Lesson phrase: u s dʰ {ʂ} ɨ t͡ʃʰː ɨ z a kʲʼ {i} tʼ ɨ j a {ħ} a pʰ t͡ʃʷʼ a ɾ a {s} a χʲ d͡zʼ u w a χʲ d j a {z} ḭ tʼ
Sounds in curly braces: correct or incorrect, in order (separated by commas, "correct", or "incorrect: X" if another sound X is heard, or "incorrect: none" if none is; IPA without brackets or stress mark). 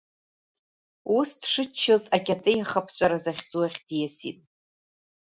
correct, incorrect: a, incorrect: χ, incorrect: z, incorrect: s